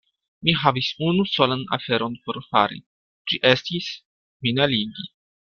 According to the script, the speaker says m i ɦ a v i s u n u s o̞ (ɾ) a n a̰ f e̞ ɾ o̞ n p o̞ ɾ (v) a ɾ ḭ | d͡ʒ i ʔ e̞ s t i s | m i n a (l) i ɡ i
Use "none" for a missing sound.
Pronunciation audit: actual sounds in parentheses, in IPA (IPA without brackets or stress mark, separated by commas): l, f, l